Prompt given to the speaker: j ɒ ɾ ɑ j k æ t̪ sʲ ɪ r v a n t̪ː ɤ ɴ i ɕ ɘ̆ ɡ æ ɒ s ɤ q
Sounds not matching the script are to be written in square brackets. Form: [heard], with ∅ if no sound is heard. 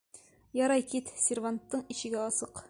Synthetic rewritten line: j ɒ ɾ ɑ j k [i] t̪ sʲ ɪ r v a n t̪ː ɤ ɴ i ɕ ɘ̆ ɡ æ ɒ s ɤ q